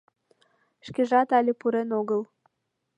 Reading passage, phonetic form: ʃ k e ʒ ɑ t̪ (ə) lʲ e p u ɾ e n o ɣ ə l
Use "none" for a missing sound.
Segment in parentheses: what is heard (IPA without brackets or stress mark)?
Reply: ɑ